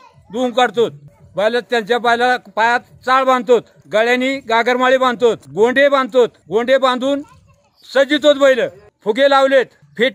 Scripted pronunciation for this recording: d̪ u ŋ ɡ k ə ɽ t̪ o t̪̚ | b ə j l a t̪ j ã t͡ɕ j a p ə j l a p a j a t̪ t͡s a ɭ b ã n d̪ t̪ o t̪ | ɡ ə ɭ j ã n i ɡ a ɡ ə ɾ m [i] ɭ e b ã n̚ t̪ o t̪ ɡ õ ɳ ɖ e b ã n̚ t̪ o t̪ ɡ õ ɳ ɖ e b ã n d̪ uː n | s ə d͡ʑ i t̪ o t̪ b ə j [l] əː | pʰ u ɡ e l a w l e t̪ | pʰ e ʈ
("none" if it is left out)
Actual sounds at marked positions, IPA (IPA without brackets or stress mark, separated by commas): a, l